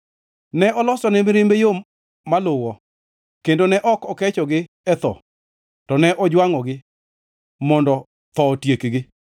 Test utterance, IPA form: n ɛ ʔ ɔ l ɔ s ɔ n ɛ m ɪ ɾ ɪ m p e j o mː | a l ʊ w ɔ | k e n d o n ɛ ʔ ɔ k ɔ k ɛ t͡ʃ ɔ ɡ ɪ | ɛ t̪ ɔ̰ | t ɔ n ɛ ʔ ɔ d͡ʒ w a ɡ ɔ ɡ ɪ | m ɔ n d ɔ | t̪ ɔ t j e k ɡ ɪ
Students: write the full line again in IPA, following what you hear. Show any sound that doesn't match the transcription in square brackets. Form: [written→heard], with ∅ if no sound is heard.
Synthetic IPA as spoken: n ɛ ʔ ɔ l ɔ s ɔ n ɛ m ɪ ɾ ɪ m [p→b] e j o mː | a l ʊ w ɔ | k e n d o n ɛ ʔ ɔ k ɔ k ɛ t͡ʃ ɔ ɡ ɪ | ɛ t̪ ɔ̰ | t ɔ n ɛ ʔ ɔ d͡ʒ w a [ɡ→ŋ] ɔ ɡ ɪ | m ɔ n d ɔ | t̪ ɔ t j e k ɡ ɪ